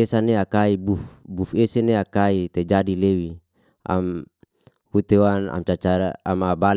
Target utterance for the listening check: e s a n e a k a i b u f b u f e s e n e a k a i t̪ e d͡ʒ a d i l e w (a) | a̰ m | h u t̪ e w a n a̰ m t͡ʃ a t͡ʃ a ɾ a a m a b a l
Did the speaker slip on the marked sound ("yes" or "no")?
yes